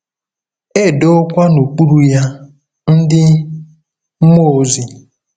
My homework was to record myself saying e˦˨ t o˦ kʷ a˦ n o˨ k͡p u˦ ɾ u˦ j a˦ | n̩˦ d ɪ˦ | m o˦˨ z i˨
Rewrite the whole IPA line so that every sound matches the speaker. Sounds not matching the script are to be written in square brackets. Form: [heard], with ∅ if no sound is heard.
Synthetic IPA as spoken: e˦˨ [d] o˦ kʷ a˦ n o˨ k͡p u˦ ɾ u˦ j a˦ | n̩˦ d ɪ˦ | m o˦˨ z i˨